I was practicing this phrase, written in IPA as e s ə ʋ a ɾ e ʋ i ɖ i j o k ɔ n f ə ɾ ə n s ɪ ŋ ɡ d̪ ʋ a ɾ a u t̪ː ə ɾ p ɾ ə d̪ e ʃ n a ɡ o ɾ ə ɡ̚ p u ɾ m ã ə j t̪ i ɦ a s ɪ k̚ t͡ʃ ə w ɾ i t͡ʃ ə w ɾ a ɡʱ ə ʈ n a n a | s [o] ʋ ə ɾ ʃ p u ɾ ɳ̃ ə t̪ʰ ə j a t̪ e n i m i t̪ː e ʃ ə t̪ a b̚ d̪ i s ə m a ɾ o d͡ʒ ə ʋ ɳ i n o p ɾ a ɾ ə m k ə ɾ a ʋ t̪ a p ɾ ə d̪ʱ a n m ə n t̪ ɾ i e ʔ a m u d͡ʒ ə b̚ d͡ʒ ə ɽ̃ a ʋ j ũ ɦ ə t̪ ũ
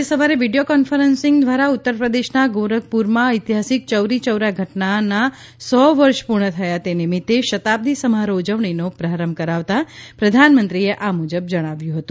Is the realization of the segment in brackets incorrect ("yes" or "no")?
yes